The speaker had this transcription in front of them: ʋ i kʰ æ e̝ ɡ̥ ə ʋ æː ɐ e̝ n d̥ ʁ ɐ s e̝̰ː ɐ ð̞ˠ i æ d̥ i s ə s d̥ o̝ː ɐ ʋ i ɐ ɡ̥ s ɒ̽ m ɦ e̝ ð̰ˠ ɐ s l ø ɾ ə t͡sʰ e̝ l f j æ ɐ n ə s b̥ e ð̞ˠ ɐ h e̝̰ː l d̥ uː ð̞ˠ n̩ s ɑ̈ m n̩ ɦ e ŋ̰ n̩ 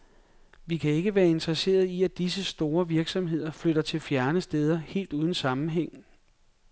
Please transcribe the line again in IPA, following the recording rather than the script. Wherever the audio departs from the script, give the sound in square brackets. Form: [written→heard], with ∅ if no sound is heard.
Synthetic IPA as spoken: ʋ i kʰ æ e̝ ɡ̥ ə ʋ æː ɐ e̝ n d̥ ʁ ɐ s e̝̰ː ɐ ð̞ˠ i æ d̥ i s ə s d̥ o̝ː ɐ ʋ i ɐ ɡ̥ s ɒ̽ m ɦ e̝ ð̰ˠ ɐ [s→f] l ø ɾ [ə→ɐ] t͡sʰ e̝ l f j æ ɐ n ə s [b̥→d̥] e ð̞ˠ ɐ h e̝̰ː l d̥ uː ð̞ˠ n̩ s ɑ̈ m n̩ ɦ e ŋ̰ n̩